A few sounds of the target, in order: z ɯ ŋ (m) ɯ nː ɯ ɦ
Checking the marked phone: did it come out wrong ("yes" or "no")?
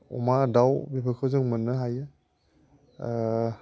no